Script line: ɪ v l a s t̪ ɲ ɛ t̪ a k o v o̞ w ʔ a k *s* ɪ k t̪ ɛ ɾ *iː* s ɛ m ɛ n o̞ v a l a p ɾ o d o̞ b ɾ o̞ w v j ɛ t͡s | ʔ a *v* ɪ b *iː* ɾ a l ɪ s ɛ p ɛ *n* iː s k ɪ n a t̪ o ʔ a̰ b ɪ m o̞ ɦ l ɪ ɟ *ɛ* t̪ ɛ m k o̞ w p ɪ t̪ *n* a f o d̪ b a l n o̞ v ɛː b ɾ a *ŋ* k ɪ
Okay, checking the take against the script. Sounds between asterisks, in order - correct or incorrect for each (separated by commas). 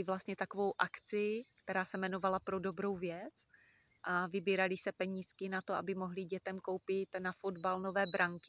incorrect, incorrect, correct, correct, incorrect, correct, correct, correct